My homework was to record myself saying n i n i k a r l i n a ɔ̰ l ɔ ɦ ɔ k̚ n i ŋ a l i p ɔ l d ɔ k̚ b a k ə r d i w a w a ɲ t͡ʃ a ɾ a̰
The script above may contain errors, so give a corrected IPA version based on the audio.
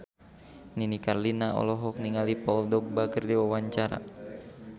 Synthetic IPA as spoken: n i n i k a r l i n a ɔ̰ l ɔ ɦ ɔ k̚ n i ŋ a l i p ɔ l d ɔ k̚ b a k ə r d i w a w a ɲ t͡ʃ a ɾ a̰